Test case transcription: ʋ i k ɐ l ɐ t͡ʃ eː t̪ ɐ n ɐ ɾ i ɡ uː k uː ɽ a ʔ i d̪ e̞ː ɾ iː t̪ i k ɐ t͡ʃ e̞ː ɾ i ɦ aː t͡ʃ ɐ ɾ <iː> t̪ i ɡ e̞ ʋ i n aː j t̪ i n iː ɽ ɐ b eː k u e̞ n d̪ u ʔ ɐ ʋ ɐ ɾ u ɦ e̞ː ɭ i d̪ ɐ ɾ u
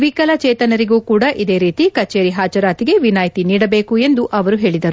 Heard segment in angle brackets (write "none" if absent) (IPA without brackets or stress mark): aː